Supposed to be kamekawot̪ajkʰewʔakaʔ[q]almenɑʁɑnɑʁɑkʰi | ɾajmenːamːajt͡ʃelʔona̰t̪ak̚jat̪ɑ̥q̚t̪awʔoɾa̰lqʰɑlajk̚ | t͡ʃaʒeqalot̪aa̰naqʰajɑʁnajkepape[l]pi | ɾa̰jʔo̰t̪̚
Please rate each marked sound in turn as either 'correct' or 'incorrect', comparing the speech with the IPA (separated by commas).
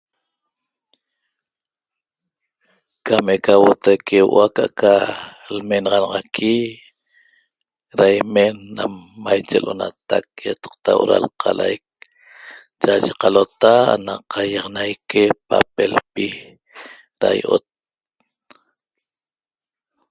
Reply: incorrect, correct